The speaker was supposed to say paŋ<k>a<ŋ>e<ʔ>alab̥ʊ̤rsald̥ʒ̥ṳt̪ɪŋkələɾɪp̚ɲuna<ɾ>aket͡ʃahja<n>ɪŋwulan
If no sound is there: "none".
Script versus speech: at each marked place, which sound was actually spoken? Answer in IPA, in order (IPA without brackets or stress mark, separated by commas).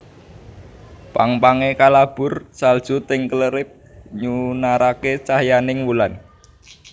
p, ŋ, k, ɾ, n